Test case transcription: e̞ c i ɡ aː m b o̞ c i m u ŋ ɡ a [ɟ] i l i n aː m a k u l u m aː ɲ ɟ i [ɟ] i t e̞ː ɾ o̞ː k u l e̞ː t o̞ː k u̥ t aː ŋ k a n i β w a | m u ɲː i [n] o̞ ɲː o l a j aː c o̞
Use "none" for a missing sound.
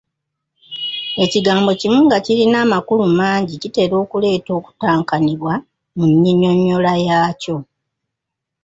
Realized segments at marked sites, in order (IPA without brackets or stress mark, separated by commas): c, c, ɲ